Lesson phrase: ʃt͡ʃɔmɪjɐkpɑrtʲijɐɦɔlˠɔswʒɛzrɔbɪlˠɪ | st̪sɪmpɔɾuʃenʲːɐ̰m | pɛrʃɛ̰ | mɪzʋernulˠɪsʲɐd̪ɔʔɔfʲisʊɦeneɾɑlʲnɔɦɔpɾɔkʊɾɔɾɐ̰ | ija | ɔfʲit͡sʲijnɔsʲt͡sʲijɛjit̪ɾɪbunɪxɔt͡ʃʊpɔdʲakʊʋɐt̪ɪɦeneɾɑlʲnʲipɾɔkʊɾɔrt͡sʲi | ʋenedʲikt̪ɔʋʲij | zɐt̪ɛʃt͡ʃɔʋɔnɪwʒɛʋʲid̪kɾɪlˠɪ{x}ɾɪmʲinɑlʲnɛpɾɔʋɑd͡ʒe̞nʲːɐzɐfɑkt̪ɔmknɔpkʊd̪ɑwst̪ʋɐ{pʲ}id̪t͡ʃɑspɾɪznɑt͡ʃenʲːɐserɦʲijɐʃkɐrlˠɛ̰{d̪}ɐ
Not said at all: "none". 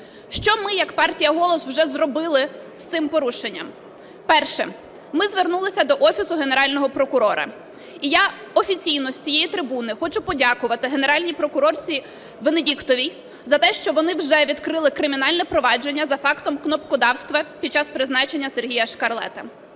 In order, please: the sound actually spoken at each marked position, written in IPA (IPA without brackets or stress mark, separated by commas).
k, pʲ, t̪